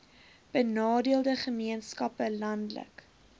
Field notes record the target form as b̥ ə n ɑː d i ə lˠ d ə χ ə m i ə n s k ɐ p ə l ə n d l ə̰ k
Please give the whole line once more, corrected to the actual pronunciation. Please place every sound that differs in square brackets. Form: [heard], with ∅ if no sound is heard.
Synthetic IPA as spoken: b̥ ə n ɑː d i ə lˠ d ə χ ə m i ə n s k ɐ p ə l [ɐ] n d l ə̰ k